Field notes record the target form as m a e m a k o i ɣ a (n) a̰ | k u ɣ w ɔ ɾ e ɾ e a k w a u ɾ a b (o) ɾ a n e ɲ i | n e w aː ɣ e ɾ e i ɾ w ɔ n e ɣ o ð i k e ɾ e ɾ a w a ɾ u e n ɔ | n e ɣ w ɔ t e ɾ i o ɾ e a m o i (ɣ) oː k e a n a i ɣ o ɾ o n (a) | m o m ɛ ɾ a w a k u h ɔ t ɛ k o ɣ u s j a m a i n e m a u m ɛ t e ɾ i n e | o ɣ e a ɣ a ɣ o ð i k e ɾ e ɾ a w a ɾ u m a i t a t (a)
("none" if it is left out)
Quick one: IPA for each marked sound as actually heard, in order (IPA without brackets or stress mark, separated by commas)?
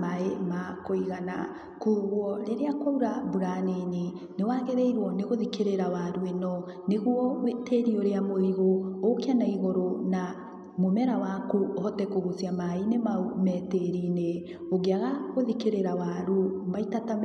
n, u, ɣ, a, a